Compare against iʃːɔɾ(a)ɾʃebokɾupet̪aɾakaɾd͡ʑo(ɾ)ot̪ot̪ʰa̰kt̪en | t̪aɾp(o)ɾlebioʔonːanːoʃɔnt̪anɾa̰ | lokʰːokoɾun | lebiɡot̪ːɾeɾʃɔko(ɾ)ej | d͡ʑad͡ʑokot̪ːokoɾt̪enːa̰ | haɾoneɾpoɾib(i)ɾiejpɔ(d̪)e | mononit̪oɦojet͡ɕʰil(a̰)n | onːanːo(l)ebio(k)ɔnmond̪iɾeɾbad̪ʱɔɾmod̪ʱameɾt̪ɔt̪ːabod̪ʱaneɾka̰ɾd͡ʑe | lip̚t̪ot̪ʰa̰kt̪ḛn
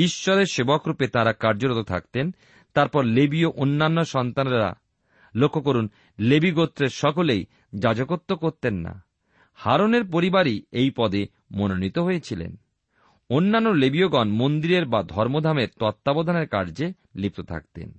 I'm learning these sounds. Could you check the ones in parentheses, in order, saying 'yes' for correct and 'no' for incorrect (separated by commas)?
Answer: no, yes, no, no, no, yes, no, yes, no